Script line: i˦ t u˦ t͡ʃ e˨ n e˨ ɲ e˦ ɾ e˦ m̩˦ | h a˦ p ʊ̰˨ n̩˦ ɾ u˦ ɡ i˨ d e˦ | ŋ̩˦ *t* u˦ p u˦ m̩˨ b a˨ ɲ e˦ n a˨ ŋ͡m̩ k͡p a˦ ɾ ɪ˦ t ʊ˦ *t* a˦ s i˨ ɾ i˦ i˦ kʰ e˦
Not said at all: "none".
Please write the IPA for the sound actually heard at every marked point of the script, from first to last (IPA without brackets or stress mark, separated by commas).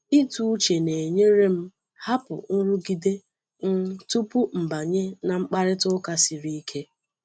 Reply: t, k